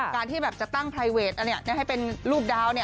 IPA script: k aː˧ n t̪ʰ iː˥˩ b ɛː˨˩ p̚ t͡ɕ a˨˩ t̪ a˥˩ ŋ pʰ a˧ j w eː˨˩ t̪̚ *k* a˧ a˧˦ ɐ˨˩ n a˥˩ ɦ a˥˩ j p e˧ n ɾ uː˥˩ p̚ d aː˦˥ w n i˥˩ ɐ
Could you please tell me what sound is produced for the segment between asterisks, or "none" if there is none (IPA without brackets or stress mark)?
ʔ